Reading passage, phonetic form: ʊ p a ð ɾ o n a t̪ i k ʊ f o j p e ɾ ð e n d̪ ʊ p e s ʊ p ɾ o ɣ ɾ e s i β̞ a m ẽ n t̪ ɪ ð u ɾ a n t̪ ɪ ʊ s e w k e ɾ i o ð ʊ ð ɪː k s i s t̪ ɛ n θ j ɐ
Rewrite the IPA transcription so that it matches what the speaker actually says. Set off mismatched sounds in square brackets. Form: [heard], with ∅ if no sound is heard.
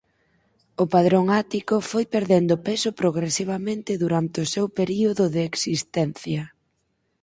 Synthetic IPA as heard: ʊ p a ð ɾ o [ŋ] a t̪ i k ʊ f o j p e ɾ ð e n d̪ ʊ p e s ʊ p ɾ o ɣ ɾ e s i β̞ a m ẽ n t̪ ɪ ð u ɾ a n t̪ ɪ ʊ s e w [p] e ɾ i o ð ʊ ð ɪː k s i s t̪ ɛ n θ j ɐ